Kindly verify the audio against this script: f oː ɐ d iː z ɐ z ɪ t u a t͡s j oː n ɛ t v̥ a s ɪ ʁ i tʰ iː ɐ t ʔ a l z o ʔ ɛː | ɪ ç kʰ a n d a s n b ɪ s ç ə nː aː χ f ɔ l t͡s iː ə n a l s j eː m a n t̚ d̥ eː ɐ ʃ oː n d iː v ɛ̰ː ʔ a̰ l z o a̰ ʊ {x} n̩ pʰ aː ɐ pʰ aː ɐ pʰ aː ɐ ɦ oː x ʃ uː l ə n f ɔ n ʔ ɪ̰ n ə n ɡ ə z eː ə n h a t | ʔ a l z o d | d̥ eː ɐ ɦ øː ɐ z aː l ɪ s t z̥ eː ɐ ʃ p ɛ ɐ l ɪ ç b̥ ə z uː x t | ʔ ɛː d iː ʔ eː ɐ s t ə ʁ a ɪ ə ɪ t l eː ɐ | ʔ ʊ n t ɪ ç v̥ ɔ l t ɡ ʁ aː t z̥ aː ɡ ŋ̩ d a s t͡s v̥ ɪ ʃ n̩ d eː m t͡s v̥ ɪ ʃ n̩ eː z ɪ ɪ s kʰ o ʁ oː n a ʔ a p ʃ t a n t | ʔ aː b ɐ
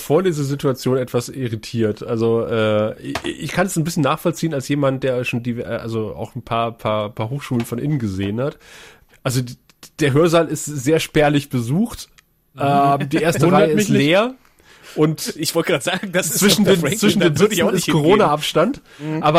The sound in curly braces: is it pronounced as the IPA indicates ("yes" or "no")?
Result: yes